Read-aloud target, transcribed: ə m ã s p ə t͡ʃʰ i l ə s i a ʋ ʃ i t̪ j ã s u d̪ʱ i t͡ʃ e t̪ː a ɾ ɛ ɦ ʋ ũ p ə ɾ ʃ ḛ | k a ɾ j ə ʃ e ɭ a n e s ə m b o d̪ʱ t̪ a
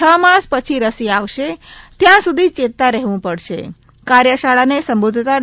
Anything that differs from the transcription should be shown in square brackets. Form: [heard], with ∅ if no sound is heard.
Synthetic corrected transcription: ə m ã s p ə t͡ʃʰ i [ɾ] ə s i a ʋ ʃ [e] t̪ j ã s u d̪ʱ i t͡ʃ e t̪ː a ɾ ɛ ɦ ʋ ũ p ə [ɽ] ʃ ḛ | k a ɾ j ə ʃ [a] ɭ a n e s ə m b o d̪ʱ t̪ a